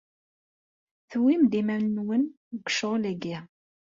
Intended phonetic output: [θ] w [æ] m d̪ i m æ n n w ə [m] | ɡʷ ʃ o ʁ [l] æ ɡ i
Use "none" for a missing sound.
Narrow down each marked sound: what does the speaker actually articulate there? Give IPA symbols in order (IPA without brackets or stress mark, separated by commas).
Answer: θ, i, n, l